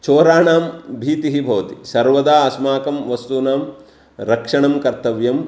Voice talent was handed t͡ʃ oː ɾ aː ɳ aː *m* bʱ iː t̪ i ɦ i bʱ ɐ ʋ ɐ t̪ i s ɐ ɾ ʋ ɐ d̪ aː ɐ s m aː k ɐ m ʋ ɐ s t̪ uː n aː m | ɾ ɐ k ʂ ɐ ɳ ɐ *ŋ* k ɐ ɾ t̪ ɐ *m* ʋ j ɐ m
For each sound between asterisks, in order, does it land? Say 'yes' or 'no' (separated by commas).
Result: yes, no, no